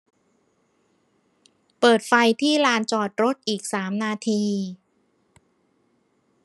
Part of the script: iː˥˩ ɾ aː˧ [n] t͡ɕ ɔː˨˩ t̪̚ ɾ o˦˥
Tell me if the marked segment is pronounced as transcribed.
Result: yes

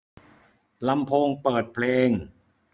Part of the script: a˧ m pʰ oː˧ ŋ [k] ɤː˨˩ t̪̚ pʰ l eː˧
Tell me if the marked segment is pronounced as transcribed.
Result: no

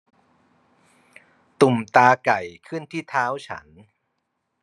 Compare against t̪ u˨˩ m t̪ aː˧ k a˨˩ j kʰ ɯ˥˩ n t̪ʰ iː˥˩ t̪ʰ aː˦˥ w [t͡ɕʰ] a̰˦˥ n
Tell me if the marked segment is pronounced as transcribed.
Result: yes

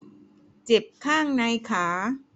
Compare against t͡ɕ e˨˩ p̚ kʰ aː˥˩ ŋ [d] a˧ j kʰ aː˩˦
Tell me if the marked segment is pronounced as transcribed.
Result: no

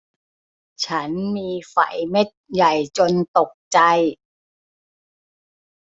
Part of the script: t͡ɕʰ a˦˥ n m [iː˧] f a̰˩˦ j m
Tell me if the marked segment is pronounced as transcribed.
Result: yes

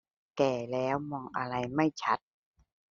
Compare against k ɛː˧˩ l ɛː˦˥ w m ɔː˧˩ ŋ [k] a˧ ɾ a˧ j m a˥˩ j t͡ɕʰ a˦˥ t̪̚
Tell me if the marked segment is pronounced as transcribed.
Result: no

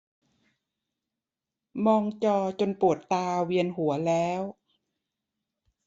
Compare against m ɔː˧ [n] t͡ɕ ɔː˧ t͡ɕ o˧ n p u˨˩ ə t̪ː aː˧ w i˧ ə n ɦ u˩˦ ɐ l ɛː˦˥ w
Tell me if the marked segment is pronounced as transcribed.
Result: no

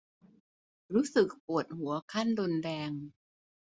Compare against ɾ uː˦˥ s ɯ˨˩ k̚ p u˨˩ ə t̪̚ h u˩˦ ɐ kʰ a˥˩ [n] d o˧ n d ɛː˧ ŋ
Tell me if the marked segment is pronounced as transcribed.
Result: yes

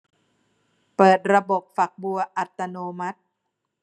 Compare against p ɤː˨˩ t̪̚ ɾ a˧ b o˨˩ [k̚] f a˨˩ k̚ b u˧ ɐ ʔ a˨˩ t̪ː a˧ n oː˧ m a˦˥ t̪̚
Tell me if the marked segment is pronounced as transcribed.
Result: no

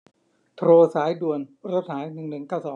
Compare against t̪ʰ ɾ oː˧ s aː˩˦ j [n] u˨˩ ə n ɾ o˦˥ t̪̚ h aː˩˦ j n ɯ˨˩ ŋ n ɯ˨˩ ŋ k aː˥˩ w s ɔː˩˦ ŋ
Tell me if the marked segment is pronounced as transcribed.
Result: no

